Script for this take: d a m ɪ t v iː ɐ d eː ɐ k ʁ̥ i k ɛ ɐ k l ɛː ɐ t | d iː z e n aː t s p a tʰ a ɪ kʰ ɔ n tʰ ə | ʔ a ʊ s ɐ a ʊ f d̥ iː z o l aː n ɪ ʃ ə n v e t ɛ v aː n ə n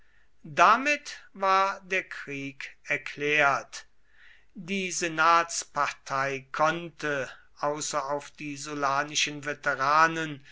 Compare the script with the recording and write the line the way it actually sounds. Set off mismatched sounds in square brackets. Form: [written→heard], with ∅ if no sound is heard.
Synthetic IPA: d a m ɪ t v [iː→aː] ɐ d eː ɐ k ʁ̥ [i→iː] k ɛ ɐ k l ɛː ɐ t | d iː z e n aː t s p a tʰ a ɪ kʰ ɔ n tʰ ə | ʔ a ʊ s ɐ a ʊ f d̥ iː z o l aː n ɪ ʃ ə n v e t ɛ [v→ʁ] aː n ə n